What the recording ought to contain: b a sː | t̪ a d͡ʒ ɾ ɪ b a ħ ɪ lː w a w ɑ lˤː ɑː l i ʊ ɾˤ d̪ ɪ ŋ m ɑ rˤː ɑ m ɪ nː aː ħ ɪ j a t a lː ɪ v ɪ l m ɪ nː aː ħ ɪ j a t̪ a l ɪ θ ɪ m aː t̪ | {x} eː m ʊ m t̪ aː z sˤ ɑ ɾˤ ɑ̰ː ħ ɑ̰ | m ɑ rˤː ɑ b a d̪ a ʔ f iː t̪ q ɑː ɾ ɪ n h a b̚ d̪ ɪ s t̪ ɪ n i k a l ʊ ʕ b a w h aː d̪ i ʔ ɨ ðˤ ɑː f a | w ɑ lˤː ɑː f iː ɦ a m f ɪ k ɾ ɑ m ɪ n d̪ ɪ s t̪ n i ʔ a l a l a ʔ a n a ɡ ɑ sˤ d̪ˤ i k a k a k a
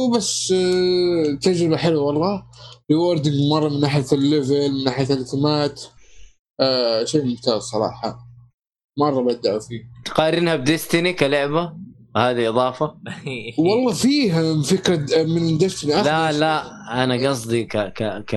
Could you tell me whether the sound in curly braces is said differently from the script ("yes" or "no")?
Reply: yes